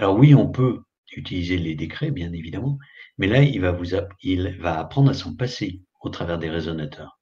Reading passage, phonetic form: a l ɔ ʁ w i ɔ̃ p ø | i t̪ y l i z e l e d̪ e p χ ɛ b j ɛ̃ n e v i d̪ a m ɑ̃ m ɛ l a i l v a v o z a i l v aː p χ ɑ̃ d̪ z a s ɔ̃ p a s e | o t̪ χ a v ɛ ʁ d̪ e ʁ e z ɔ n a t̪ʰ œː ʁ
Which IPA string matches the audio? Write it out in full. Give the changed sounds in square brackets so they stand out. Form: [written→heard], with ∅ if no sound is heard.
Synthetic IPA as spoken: a l ɔ ʁ w i ɔ̃ p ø | [i→y] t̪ [y→i] l i z e l e d̪ e [p→k] χ ɛ b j ɛ̃ n e v i d̪ a m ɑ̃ m ɛ l a i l v a v [o→u] z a i l v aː p χ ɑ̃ d̪ [z→ʁ] a s ɔ̃ p a s e | o t̪ χ a v ɛ ʁ d̪ e ʁ e z ɔ n a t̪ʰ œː ʁ